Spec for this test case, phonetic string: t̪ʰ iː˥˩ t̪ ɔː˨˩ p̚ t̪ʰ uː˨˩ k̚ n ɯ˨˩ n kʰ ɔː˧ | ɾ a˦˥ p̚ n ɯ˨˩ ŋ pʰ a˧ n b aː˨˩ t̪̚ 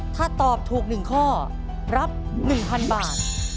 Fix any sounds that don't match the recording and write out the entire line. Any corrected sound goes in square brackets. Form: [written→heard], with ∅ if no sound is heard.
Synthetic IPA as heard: t̪ʰ [iː˥˩→aː˥˩] t̪ ɔː˨˩ p̚ t̪ʰ uː˨˩ k̚ n ɯ˨˩ [n→ŋ] kʰ [ɔː˧→ɔː˥˩] | ɾ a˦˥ p̚ n ɯ˨˩ ŋ pʰ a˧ n b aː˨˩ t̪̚